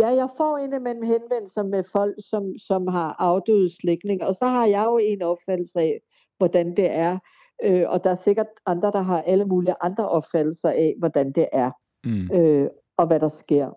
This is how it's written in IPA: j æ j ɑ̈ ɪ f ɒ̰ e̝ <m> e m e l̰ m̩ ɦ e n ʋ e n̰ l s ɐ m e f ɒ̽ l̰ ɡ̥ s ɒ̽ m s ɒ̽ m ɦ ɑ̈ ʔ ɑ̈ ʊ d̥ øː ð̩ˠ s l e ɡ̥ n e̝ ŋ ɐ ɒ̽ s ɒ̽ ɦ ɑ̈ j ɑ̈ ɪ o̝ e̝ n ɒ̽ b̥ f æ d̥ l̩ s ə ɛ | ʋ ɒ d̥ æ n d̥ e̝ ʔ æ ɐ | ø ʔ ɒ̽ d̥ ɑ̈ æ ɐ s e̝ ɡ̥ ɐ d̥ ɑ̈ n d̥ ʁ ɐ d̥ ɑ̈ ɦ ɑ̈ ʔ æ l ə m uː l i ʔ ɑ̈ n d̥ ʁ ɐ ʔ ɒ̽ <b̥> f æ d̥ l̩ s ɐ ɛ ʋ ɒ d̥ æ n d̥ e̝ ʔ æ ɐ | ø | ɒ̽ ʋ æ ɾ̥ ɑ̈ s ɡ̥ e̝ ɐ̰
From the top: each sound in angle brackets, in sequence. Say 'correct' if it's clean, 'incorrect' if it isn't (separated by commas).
incorrect, correct